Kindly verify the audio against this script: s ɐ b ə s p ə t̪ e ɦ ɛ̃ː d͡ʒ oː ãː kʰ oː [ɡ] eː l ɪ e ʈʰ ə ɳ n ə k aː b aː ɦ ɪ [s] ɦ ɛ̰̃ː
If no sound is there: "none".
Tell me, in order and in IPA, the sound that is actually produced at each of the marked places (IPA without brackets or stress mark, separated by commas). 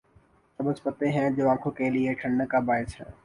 k, s